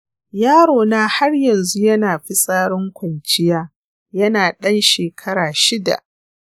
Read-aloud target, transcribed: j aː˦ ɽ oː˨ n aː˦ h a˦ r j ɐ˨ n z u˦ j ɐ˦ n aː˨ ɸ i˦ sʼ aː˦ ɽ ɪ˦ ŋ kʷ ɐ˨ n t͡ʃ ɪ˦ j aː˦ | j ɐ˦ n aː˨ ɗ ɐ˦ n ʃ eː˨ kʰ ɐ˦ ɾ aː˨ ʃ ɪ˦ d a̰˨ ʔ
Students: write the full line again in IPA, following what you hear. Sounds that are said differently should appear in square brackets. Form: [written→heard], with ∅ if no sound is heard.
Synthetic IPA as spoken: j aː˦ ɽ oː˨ n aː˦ h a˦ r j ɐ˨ n z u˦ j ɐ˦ n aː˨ ɸ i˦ sʼ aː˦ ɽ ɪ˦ ŋ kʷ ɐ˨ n t͡ʃ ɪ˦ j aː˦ | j ɐ˦ n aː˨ ɗ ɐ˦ n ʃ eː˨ kʰ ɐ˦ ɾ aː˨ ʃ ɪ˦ d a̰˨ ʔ